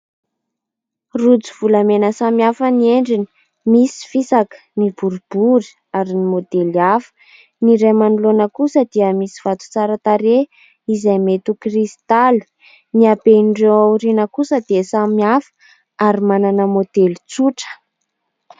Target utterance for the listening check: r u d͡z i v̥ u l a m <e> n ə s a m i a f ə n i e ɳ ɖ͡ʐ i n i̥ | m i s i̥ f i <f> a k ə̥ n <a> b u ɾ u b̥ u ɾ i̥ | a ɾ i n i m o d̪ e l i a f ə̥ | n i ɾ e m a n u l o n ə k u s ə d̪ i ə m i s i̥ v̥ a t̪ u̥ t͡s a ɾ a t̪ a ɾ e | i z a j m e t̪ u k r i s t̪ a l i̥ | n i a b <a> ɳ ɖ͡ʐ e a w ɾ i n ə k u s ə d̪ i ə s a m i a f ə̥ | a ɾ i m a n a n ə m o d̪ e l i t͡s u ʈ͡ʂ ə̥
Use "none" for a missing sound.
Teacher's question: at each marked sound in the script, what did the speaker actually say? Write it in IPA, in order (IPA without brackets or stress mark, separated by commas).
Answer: e, s, i, e